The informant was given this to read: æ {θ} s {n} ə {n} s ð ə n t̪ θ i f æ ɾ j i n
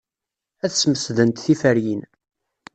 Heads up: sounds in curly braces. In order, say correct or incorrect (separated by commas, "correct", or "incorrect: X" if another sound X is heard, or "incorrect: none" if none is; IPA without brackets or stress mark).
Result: correct, incorrect: m, incorrect: none